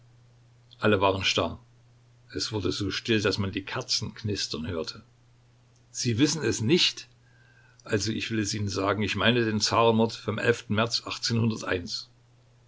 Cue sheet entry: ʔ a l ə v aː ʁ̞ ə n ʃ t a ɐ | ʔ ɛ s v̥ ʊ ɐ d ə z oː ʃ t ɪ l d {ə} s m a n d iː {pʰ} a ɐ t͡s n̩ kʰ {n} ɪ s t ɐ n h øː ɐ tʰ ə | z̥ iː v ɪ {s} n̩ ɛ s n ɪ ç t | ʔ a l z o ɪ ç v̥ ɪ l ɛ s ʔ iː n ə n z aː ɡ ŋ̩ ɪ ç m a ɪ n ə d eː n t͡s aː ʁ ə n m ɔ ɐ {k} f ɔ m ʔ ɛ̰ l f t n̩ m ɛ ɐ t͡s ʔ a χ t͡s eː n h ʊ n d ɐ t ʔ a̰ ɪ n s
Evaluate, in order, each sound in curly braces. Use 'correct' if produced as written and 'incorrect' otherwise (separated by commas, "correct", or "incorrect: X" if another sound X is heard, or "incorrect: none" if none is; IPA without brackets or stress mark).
incorrect: a, incorrect: kʰ, correct, correct, incorrect: t